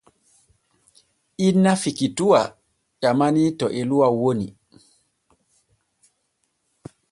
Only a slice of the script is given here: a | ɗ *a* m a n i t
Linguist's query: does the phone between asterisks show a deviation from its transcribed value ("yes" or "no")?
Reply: no